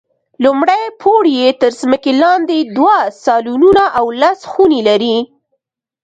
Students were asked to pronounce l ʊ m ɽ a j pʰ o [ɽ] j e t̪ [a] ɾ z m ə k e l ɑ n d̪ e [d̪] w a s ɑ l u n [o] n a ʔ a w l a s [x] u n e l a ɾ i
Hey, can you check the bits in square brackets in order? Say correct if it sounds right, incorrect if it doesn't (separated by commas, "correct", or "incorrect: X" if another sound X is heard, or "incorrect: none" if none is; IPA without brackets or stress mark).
correct, incorrect: ə, correct, incorrect: u, correct